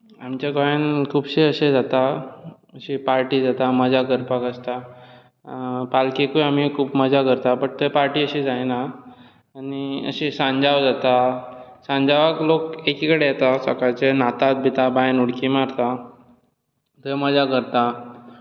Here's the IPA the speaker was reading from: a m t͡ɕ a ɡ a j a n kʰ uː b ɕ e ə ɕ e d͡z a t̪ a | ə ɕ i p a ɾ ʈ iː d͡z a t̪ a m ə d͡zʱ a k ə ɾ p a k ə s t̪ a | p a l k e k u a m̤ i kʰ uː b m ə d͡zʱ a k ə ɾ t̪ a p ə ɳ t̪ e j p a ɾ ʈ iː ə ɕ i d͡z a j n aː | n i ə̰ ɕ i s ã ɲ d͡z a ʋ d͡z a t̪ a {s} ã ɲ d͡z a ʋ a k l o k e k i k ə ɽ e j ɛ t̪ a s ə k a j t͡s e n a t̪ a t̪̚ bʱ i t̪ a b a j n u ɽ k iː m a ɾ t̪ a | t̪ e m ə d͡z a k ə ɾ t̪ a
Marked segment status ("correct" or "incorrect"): correct